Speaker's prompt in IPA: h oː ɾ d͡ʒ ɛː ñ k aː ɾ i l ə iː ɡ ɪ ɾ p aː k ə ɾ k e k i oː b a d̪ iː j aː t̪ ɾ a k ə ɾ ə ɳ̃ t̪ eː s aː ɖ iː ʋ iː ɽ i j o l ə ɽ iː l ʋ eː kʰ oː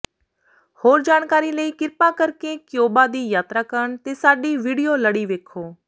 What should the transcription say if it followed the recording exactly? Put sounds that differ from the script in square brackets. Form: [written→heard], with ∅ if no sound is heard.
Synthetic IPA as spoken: h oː ɾ d͡ʒ [ɛː→aː] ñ k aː ɾ i l ə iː [ɡ→k] ɪ ɾ p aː k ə ɾ k e k [i→j] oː b a d̪ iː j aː t̪ ɾ a k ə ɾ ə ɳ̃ t̪ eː s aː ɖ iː ʋ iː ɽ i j o l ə ɽ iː [l→∅] ʋ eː kʰ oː